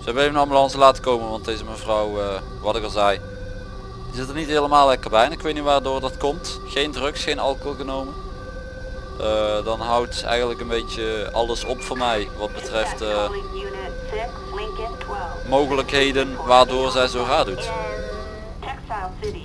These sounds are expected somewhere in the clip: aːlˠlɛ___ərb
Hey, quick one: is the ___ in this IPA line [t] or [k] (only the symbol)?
k